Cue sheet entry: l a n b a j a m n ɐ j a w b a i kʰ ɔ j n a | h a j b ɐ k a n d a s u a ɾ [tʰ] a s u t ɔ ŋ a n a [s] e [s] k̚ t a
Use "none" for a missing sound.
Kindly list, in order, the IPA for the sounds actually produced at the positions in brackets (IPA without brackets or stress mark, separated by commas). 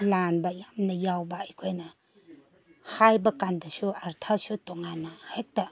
tʰ, h, none